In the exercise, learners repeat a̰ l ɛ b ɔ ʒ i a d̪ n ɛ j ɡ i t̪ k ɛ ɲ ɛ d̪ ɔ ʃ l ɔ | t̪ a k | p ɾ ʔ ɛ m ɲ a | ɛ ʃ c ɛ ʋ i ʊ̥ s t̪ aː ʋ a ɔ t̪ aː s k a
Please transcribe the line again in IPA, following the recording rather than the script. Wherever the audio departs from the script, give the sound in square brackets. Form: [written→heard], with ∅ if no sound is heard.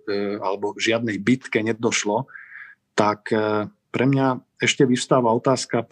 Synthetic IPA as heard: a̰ l ɛ b ɔ ʒ [i→ɪ] a d̪ n ɛ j [ɡ→b] i t̪ k ɛ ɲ ɛ d̪ ɔ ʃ l ɔ | t̪ a k | p ɾ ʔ ɛ m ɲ a | ɛ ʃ c ɛ ʋ i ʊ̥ s t̪ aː ʋ a ɔ t̪ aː s k a